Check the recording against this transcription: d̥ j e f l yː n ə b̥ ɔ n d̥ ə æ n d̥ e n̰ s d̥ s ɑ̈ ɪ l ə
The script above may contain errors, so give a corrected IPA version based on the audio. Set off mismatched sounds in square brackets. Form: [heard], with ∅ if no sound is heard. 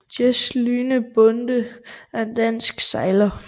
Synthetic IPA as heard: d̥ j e [s] l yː n ə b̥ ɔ n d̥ ə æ n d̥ [æ] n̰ s [ɡ̥] s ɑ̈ ɪ l [ɐ]